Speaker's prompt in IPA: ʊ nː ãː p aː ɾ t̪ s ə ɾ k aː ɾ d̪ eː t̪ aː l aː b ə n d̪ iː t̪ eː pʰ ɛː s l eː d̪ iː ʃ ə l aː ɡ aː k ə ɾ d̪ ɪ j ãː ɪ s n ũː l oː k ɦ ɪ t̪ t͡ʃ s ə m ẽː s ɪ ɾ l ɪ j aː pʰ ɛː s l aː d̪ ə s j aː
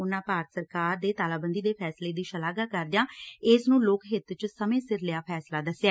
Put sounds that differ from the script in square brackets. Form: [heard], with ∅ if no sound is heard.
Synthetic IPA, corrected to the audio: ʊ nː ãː p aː ɾ t̪ s ə ɾ k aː ɾ d̪ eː t̪ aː l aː b ə n d̪ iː [d̪] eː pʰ ɛː s l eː d̪ iː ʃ ə l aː ɡ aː k ə ɾ d̪ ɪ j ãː ɪ s n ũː l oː k ɦ ɪ t̪ t͡ʃ s ə m ẽː s ɪ ɾ l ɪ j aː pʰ ɛː s l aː d̪ ə s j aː